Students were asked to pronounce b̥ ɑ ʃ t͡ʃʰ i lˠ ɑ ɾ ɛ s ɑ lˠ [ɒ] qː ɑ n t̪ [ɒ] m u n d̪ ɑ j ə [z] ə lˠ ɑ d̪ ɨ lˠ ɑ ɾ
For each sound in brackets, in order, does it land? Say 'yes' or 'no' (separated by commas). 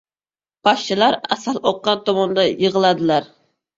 no, no, no